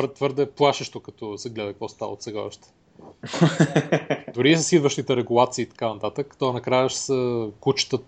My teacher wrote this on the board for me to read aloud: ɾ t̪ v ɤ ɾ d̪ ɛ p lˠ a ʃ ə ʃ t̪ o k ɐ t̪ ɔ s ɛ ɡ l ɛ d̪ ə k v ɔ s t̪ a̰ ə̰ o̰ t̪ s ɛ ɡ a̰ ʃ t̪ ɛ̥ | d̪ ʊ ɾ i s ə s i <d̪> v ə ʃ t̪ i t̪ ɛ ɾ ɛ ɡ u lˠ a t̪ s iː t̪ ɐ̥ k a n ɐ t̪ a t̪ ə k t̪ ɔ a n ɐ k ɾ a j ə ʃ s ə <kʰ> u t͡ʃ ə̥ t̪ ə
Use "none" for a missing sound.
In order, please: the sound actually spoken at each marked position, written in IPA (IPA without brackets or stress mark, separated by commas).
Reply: d̪, k